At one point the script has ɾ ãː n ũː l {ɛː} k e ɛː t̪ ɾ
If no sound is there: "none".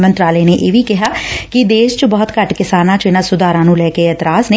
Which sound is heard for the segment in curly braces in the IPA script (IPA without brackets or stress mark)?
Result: ɛː